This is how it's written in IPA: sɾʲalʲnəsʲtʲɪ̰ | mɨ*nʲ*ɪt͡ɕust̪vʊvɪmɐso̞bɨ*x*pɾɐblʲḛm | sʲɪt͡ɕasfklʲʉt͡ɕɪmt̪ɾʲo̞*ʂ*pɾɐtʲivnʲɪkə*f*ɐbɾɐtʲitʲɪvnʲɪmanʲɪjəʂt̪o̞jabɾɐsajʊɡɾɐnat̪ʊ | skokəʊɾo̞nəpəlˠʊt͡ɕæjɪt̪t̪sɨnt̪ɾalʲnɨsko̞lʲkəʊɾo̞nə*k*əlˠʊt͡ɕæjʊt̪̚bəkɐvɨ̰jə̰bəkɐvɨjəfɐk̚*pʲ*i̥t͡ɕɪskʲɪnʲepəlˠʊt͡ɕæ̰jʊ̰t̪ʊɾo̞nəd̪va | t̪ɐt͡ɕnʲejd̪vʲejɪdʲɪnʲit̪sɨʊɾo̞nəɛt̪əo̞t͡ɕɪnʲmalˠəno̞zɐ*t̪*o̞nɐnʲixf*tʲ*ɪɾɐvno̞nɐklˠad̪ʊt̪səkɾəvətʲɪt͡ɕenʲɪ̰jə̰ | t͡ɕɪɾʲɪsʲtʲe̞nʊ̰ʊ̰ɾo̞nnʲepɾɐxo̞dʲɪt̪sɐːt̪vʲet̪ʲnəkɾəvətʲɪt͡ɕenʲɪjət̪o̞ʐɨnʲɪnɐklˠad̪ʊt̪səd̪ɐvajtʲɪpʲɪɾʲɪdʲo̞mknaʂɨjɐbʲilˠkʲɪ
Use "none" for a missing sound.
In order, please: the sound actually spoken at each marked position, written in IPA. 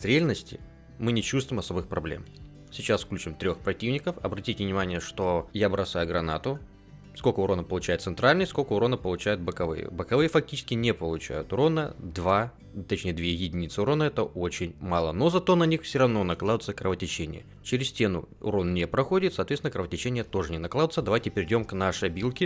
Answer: nʲ, x, x, f, p, tʲ, t̪, sʲ

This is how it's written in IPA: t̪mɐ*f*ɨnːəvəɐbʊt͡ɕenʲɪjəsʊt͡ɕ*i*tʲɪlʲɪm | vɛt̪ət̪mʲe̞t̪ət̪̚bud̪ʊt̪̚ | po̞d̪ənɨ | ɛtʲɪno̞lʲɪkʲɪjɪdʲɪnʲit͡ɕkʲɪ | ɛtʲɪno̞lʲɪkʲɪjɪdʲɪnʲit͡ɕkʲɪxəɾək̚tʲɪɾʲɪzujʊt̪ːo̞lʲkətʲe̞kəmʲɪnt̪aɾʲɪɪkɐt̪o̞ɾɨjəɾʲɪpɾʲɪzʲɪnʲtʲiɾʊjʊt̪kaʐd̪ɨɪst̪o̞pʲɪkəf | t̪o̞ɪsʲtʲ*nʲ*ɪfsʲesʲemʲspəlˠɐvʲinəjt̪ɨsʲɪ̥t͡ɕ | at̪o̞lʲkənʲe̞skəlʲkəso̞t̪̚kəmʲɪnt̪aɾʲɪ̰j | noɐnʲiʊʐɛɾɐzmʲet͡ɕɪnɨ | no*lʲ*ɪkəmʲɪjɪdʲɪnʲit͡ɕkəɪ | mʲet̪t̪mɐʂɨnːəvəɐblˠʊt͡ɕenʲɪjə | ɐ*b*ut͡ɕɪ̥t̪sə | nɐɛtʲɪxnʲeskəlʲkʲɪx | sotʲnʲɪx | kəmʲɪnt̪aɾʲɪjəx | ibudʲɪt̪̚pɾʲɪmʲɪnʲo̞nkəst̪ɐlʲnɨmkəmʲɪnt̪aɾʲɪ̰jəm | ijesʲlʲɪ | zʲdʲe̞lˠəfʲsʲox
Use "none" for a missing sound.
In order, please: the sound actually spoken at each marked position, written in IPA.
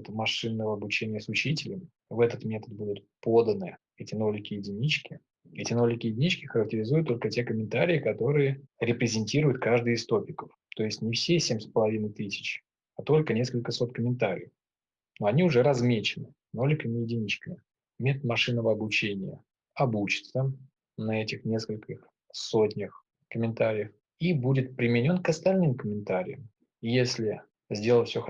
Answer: ʂ, i, nʲ, lʲ, b

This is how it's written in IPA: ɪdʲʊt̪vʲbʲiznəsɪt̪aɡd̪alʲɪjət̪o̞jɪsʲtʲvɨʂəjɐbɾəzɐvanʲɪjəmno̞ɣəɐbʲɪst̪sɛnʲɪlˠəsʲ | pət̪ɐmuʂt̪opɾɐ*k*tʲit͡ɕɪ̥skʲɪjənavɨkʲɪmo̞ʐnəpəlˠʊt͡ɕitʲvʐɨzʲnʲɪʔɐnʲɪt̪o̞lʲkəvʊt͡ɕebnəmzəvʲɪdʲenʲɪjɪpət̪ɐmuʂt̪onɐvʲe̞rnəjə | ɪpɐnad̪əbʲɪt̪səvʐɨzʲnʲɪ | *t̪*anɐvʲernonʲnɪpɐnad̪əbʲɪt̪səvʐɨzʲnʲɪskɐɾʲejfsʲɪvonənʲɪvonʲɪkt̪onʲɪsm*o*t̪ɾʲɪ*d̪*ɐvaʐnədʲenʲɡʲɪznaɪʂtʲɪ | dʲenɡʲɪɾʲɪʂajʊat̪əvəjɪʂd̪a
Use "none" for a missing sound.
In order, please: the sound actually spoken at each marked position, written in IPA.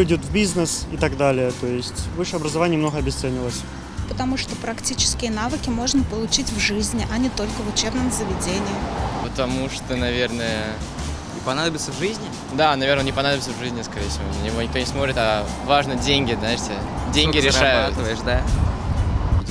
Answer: k, d̪, o, t̪

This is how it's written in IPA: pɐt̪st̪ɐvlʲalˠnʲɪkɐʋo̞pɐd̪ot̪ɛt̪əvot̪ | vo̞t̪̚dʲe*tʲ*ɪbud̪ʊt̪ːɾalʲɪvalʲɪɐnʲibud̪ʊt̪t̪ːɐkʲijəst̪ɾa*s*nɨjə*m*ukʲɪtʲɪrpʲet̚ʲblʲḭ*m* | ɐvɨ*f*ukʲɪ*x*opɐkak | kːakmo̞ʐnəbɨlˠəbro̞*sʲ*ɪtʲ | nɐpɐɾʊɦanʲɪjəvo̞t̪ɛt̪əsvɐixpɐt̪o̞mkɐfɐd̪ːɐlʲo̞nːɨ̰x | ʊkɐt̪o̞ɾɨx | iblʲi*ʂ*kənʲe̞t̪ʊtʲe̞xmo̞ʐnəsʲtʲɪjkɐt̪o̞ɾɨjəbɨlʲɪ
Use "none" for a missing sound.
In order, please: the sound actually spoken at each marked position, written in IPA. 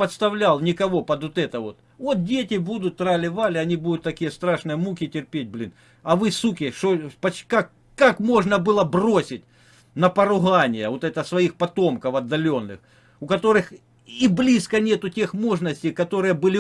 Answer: tʲ, ʂ, m, n, s, ʂ, sʲ, s

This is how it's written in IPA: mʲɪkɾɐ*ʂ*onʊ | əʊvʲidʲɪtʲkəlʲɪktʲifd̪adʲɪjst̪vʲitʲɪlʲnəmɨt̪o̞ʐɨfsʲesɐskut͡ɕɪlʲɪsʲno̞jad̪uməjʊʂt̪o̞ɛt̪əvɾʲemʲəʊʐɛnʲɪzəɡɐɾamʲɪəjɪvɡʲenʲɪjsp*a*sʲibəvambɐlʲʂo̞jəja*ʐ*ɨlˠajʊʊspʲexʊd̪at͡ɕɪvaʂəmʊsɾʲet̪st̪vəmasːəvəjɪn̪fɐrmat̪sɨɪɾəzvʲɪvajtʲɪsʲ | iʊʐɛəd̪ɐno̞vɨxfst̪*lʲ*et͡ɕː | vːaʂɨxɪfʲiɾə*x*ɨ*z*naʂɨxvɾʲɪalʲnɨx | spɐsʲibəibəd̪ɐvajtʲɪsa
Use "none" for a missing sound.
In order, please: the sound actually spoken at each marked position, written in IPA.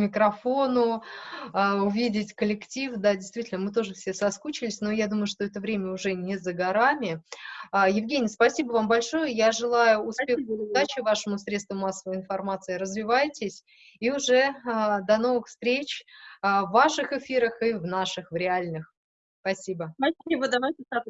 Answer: f, ɐ, ʐ, ɾʲ, x, v

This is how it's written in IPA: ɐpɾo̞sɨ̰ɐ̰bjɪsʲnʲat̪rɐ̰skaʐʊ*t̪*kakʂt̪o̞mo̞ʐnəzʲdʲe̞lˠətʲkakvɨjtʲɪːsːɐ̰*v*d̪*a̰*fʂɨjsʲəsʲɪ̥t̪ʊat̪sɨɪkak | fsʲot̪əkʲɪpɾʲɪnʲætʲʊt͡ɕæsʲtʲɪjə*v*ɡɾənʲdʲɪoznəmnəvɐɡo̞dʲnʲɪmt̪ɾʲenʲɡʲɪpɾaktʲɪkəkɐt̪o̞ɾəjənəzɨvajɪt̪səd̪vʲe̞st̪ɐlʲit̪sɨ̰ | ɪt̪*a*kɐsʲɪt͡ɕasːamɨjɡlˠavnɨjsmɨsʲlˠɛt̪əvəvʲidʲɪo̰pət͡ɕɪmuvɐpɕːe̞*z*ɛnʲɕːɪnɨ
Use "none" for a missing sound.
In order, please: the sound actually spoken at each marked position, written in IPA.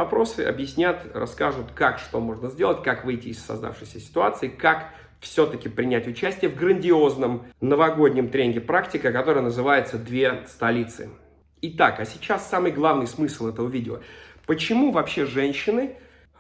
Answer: t̪, z, a̰, v, a, ʐ

